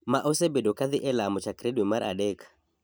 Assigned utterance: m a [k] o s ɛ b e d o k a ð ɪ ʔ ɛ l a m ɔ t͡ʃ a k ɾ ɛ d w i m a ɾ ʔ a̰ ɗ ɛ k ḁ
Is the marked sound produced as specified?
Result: no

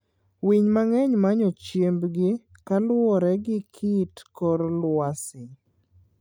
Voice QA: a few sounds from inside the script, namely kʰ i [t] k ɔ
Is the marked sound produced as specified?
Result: yes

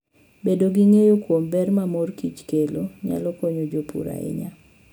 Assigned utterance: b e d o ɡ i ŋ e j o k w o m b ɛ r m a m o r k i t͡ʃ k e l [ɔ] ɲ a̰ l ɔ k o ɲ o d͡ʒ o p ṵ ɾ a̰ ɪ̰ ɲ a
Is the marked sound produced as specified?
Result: no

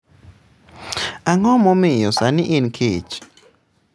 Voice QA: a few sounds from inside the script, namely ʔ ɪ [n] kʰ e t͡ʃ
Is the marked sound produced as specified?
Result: yes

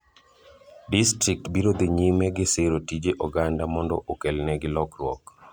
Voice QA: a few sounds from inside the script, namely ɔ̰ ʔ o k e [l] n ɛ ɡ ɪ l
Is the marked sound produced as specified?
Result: yes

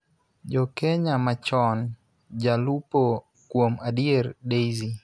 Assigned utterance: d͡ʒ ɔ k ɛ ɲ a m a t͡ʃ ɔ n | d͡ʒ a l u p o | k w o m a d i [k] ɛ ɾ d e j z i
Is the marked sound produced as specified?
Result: no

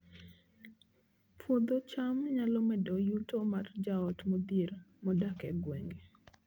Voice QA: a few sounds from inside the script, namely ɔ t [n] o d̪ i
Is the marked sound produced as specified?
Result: no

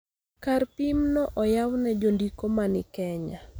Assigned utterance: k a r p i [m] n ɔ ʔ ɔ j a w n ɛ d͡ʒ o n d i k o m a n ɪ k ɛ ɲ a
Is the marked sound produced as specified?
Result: yes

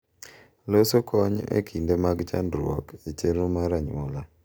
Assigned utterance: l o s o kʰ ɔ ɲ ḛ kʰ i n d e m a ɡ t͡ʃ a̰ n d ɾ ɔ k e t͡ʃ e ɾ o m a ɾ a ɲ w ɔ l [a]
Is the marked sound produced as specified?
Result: yes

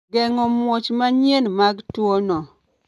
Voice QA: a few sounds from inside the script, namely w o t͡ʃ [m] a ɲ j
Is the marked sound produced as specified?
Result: yes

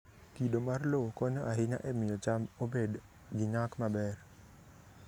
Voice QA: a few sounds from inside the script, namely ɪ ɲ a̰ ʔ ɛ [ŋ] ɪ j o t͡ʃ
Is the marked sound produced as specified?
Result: no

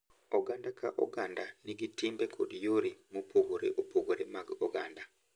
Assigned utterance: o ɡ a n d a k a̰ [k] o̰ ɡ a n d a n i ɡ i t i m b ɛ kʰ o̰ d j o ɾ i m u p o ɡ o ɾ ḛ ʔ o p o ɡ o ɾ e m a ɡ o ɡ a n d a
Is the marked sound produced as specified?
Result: no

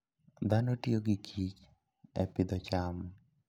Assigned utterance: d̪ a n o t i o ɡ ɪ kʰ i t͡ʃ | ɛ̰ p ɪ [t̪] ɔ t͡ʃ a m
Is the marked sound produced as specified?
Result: no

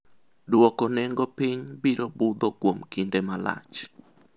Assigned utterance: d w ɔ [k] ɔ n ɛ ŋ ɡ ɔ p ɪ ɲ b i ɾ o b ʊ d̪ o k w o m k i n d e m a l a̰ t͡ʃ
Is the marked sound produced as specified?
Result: yes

